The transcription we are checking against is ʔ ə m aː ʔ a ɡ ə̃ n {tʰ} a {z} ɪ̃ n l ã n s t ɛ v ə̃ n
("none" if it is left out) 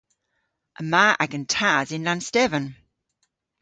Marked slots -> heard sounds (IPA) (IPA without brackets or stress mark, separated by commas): tʰ, z